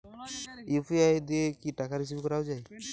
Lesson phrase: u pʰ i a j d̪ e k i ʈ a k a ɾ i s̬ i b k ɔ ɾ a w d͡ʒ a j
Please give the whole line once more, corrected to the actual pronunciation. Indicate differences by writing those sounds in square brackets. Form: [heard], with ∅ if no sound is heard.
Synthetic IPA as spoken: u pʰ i a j d̪ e k i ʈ a k a ɾ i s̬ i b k ɔ ɾ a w d͡ʒ a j